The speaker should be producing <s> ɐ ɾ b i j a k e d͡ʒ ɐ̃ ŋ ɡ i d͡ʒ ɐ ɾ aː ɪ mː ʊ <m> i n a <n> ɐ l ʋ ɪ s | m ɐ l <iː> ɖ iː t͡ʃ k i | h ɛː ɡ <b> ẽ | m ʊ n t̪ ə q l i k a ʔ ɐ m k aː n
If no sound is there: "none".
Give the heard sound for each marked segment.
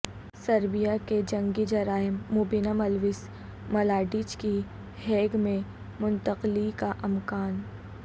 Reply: s, b, m, aː, m

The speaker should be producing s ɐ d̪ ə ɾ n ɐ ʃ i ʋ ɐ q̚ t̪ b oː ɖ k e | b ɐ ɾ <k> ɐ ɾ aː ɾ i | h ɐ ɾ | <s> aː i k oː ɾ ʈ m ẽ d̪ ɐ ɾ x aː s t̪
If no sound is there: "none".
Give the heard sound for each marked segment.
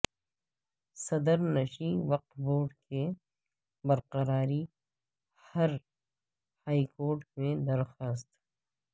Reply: q, h

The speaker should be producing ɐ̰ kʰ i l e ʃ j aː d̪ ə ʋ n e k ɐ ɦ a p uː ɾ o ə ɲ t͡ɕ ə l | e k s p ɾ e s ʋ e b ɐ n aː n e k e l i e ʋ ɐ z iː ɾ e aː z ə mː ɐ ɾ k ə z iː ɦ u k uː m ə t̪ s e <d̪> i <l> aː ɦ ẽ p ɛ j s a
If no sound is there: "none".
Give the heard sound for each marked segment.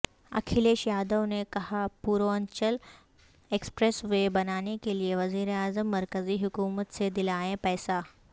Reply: d̪, l

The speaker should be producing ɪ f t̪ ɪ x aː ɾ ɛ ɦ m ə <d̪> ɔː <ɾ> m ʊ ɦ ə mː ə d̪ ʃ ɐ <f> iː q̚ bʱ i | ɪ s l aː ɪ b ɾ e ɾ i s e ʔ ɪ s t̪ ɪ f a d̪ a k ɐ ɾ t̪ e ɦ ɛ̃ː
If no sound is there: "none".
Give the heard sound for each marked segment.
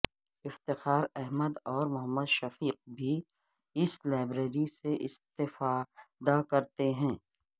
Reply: d̪, ɾ, f

